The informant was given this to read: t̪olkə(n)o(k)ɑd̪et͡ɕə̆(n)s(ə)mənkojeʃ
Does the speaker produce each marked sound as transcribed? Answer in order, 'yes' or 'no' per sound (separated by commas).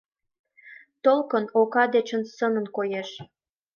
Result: yes, yes, yes, yes